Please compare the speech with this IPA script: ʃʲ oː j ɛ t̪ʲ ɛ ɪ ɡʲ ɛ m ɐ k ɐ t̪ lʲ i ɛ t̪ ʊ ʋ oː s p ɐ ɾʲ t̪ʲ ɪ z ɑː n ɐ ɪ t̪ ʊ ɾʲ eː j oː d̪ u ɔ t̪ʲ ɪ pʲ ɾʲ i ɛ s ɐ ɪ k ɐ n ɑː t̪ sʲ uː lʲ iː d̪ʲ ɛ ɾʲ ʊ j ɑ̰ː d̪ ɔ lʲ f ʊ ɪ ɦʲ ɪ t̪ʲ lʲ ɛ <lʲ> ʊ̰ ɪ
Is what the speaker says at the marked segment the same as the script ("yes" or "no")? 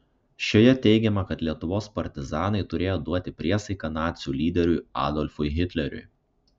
no